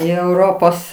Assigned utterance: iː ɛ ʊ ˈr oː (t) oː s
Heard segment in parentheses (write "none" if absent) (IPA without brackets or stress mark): p